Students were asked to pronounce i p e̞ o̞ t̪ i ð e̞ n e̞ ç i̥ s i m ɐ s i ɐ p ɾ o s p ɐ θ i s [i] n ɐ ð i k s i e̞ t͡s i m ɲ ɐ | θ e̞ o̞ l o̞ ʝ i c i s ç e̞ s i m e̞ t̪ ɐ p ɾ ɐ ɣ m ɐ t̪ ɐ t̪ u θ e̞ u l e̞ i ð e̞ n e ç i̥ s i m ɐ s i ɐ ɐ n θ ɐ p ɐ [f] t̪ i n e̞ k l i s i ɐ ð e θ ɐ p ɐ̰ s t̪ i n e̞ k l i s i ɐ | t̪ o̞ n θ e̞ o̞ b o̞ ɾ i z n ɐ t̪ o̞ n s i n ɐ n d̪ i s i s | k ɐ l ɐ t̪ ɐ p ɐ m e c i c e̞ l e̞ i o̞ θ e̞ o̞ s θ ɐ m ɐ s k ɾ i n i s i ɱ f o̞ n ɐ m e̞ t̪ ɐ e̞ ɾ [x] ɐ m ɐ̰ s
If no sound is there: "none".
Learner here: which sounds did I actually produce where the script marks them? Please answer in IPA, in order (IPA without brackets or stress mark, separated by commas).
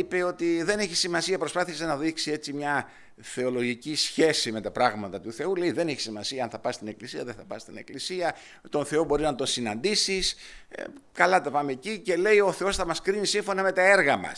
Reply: e, s, ɣ